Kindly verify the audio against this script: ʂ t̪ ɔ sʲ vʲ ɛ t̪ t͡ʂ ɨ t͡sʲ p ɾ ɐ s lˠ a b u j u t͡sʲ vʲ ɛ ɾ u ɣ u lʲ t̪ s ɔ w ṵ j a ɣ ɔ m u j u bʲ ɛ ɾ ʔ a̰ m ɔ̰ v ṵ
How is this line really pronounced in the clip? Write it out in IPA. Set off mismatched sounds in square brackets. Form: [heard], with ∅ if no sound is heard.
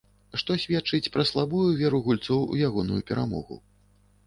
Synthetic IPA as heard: ʂ t̪ ɔ sʲ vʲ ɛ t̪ t͡ʂ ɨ t͡sʲ p ɾ ɐ s lˠ a b u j u [∅] vʲ ɛ ɾ u ɣ u lʲ t̪ s ɔ w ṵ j a ɣ ɔ [n] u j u [pʲ] ɛ ɾ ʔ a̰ m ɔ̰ [ɣ] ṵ